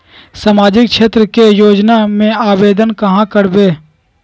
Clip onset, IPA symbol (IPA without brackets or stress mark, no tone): s